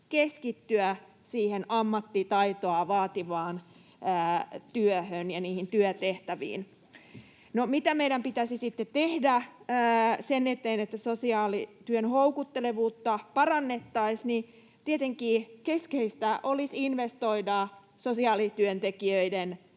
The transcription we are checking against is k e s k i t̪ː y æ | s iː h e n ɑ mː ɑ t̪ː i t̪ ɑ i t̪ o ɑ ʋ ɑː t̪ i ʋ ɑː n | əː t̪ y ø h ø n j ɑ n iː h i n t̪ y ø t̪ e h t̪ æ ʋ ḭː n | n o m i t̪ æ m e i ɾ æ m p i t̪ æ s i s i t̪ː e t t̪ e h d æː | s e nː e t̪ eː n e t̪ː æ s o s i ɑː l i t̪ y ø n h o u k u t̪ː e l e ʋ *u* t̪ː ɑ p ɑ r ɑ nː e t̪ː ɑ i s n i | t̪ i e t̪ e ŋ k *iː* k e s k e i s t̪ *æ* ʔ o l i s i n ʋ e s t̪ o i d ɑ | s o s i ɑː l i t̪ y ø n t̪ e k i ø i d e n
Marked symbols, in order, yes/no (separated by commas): no, yes, yes